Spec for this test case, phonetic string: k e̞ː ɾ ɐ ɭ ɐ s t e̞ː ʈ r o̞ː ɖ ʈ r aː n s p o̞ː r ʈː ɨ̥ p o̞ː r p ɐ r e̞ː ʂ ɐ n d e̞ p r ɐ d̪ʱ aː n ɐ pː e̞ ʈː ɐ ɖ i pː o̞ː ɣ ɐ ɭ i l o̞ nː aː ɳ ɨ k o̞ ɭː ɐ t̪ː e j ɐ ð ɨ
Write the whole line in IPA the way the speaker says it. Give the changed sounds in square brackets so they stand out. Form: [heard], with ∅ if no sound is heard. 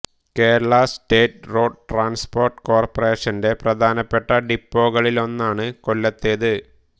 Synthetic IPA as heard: k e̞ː ɾ ɐ ɭ ɐ s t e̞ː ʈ r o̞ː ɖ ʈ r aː n s p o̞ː r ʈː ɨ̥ [k] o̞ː r p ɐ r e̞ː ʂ ɐ n d e̞ p r ɐ d̪ʱ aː n ɐ pː e̞ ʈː ɐ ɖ i pː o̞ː ɣ ɐ ɭ i l o̞ nː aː ɳ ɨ k o̞ [lː] ɐ t̪ː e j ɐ ð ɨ